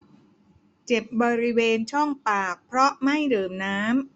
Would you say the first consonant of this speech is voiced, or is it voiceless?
voiceless